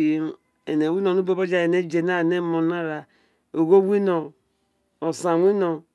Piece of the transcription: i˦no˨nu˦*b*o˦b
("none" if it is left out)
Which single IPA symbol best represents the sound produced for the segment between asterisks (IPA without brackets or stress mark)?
b